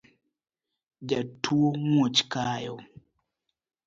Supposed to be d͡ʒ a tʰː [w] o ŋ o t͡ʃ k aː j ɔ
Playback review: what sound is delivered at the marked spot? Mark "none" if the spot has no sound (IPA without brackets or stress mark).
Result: u